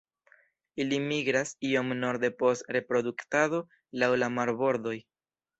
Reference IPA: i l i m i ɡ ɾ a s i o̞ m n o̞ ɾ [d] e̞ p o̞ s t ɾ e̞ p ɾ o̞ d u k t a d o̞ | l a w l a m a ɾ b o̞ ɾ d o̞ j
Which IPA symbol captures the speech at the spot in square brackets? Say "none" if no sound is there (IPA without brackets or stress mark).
d